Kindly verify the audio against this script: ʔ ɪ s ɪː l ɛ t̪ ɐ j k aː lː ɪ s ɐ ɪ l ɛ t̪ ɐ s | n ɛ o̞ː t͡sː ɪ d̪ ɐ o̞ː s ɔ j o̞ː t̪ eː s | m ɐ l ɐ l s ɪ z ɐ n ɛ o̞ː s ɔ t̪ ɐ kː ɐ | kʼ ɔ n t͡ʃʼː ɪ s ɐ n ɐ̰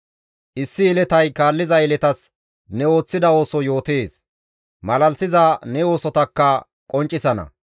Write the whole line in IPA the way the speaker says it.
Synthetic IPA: ʔ ɪ sː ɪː l ɛ t̪ ɐ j k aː lː ɪ z ɐ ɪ l ɛ t̪ ɐ s | n ɛ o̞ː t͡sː ɪ d̪ ɐ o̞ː s ɔ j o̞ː t̪ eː s | m ɐ l ɐ l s ɪ z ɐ n ɛ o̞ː s ɔ t̪ ɐ kː ɐ | kʼ ɔ n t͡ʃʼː ɪ s ɐ n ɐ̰